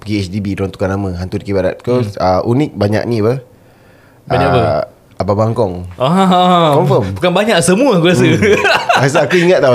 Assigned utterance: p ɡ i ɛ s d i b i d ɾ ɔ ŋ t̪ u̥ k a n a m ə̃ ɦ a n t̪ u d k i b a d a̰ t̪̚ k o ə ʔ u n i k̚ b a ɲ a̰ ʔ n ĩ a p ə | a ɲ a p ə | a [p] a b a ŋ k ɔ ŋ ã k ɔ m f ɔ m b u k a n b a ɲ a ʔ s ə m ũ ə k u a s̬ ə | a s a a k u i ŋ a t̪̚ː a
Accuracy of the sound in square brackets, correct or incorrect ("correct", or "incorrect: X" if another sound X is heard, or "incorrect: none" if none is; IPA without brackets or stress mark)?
incorrect: b